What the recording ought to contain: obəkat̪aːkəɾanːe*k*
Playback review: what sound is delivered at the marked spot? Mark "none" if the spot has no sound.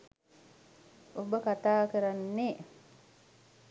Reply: none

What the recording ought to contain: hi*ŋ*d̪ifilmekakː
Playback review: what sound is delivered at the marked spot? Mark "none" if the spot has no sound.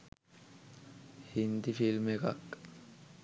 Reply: n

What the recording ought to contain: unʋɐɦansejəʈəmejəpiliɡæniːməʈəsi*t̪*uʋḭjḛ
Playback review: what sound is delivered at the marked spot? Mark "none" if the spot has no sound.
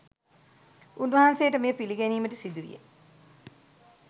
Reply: d̪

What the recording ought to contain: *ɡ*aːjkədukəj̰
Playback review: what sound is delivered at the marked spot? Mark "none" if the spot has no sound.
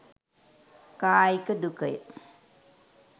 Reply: k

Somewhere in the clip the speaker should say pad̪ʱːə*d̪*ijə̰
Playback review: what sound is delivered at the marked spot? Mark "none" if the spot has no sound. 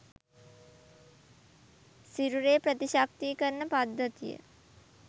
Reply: t̪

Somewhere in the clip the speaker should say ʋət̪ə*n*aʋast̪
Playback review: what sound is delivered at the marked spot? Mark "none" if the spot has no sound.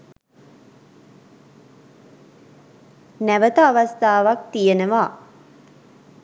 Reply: none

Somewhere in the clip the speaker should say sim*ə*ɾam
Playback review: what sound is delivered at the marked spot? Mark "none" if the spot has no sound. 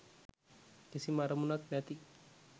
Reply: a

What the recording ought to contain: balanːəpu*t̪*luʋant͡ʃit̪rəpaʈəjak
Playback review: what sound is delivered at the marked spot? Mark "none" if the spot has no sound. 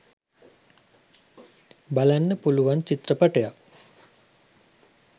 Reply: none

